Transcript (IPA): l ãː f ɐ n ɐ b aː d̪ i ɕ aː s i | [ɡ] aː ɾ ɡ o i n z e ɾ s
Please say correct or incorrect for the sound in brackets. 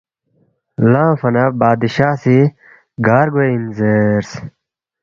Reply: correct